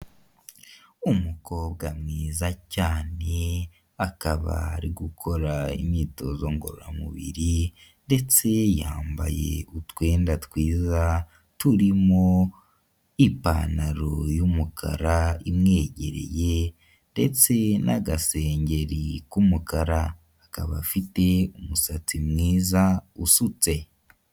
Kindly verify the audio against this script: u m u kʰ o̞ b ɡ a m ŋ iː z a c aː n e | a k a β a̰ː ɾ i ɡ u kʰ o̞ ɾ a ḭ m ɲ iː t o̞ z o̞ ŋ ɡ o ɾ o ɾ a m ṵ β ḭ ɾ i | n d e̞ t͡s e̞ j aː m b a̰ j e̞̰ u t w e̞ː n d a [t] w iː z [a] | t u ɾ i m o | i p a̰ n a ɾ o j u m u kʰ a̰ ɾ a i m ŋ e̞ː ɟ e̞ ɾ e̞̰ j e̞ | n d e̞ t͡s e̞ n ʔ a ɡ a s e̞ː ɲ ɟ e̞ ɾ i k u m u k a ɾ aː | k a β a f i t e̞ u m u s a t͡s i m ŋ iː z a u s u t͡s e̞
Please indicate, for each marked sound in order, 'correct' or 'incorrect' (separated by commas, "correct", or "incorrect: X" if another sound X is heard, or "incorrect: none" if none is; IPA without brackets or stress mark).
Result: correct, correct